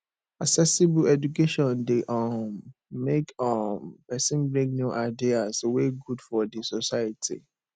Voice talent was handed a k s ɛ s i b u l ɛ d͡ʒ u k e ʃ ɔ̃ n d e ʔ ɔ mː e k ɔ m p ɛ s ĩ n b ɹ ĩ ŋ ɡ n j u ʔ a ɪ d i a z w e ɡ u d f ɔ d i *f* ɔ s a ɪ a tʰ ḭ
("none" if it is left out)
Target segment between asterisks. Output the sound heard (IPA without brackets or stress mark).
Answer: s